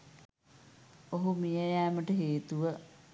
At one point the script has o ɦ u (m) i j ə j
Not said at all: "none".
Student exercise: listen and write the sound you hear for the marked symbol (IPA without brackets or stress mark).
m